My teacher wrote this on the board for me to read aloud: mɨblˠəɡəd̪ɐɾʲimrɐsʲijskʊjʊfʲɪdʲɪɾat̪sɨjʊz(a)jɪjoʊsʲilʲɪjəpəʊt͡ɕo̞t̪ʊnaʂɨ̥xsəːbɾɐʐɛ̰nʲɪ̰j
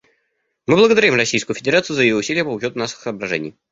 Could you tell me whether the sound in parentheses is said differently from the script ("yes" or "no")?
yes